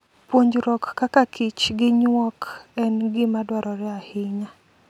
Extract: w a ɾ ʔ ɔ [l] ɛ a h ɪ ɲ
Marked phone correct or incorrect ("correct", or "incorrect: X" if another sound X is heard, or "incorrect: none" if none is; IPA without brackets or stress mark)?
incorrect: ɾ